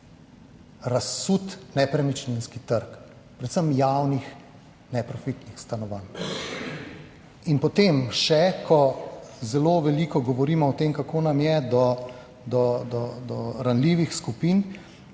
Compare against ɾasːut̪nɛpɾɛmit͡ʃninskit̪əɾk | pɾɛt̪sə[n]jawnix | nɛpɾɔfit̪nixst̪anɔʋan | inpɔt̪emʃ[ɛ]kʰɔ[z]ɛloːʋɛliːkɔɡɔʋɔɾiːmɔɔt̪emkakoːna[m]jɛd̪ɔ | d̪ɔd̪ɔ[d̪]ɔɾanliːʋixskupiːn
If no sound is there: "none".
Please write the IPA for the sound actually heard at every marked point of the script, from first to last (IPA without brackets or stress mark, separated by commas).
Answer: m, ɛ, z, m, d̪